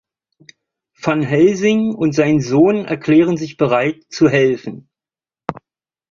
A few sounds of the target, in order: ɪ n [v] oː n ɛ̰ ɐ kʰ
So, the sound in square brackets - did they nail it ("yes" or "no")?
no